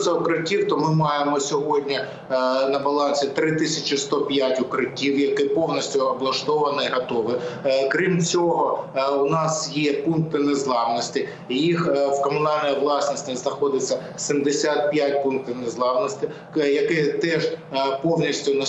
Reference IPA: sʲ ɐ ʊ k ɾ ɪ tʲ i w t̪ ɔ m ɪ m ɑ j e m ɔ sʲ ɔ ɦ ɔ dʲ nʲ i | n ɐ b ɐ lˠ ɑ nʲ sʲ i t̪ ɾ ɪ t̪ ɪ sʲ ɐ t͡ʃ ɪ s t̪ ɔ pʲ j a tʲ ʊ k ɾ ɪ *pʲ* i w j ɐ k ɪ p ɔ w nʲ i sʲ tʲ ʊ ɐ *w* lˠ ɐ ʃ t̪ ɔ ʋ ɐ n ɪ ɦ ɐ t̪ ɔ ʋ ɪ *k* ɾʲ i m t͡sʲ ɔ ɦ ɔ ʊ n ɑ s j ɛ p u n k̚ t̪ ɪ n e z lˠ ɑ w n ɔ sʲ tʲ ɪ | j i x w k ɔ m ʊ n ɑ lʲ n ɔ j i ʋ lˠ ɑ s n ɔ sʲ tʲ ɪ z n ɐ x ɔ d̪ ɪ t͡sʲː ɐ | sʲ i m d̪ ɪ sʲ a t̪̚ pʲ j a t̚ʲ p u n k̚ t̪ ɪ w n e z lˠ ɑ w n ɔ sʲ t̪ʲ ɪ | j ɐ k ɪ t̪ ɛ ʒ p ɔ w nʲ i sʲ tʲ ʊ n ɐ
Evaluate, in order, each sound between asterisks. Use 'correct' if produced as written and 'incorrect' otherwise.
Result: incorrect, incorrect, correct

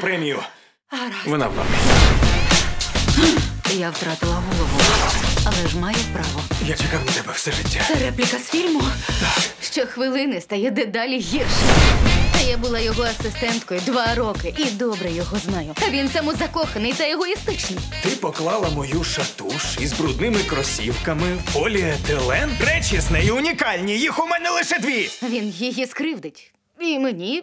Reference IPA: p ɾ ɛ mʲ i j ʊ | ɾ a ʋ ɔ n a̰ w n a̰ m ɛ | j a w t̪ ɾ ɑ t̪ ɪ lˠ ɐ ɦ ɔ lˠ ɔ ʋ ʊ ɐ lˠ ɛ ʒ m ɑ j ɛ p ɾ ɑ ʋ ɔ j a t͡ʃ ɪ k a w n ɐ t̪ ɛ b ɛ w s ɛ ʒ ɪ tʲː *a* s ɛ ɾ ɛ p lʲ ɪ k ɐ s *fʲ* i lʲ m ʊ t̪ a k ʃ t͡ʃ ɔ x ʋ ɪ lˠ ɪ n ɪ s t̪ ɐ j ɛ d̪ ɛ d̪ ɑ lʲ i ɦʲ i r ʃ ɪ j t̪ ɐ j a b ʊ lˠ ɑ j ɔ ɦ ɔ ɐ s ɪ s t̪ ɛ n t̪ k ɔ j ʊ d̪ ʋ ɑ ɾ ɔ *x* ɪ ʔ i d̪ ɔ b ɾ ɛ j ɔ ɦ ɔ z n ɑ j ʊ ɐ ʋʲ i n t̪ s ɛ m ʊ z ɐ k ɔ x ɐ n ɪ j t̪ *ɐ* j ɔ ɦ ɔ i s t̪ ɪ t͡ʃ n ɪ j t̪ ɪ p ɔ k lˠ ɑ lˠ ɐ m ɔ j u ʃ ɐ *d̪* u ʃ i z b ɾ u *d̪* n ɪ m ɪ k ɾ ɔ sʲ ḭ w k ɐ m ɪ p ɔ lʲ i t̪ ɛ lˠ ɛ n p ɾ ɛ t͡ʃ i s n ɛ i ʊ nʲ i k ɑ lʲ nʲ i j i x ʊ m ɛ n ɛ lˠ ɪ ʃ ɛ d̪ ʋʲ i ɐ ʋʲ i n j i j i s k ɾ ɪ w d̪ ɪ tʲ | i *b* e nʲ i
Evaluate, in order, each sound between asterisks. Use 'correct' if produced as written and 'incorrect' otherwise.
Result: correct, correct, incorrect, correct, incorrect, correct, incorrect

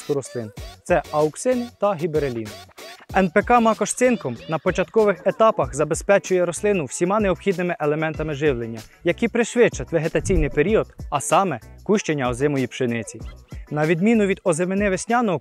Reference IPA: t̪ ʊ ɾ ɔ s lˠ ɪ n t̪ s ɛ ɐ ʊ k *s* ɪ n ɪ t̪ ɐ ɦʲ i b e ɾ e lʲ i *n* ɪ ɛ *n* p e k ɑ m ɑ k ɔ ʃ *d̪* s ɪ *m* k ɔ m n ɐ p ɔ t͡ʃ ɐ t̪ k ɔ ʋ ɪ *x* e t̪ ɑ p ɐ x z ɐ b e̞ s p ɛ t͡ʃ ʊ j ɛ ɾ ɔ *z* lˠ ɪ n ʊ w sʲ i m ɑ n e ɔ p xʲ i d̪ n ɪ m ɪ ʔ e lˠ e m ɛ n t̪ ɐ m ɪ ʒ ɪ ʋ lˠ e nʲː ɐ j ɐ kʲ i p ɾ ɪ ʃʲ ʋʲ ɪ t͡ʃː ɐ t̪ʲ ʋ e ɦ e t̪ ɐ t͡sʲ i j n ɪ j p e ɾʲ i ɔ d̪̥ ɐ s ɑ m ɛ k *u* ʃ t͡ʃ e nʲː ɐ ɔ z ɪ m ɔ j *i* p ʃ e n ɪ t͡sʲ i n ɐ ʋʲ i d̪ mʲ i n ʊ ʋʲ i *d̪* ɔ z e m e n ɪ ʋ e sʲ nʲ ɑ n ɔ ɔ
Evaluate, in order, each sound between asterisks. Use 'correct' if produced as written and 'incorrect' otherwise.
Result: correct, correct, correct, incorrect, incorrect, correct, incorrect, correct, correct, correct

